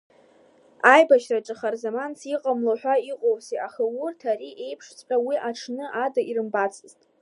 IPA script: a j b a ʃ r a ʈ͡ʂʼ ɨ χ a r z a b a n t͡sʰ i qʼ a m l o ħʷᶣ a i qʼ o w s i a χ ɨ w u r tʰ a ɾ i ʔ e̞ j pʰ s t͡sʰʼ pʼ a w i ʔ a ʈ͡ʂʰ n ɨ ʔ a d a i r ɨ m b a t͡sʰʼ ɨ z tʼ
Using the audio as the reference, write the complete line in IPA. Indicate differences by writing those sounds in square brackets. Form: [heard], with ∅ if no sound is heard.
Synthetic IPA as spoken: a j b a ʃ r a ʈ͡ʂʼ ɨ χ a r z a [m] a n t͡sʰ i qʼ a m l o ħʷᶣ a i qʼ o w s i a χ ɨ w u r tʰ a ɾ i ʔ e̞ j pʰ [ʂ] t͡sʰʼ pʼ a w i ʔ a ʈ͡ʂʰ n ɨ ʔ a d a i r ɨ m b a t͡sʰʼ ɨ z tʼ